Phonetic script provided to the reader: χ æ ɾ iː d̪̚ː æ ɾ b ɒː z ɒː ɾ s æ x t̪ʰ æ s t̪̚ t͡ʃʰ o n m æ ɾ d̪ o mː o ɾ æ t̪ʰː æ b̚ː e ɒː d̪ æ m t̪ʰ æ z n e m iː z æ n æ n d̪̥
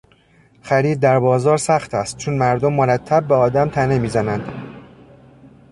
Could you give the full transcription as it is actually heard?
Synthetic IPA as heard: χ æ ɾ iː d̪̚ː æ ɾ b ɒː z ɒː ɾ s æ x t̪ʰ æ s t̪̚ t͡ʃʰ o n m æ ɾ d̪ o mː o ɾ æ t̪ʰː æ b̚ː e ɒː d̪ æ m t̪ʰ æ n e m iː z æ n æ n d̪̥